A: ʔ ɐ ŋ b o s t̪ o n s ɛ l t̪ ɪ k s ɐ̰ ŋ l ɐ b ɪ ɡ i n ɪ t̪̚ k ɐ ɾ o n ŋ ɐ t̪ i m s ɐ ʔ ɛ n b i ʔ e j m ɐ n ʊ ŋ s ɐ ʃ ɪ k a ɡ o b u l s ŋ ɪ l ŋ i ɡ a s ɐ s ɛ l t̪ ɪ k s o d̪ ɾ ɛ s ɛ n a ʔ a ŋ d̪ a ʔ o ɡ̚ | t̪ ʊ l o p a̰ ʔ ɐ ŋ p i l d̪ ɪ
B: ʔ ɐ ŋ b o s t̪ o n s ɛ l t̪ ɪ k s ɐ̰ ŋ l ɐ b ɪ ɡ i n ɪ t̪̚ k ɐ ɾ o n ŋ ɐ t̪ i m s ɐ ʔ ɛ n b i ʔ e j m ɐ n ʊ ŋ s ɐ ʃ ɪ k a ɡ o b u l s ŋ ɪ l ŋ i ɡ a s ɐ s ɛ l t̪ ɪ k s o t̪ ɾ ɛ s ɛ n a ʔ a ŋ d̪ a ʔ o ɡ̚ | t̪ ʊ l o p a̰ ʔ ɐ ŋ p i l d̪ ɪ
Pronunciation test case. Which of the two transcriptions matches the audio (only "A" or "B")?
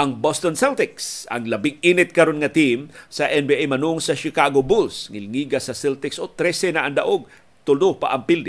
B